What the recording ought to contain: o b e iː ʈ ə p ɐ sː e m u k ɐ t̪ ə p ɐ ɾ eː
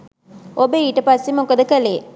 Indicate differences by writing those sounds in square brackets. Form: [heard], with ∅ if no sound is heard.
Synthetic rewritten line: o b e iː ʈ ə p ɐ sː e m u k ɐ [d̪] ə [k] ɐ [l] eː